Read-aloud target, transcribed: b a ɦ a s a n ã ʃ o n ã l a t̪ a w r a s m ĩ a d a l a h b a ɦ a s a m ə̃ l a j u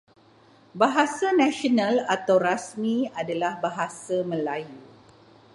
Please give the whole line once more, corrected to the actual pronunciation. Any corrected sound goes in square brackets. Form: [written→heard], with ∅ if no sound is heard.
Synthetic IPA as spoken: b a ɦ a s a n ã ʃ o n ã l a t̪ a w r a s m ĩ a d a l a h b a ɦ a s a m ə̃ l a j u